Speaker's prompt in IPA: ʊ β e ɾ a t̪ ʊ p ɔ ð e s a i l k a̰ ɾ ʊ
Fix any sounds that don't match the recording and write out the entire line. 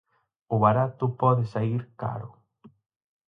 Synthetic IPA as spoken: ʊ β a ɾ a t̪ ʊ p ɔ ð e s a i ɾ k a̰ ɾ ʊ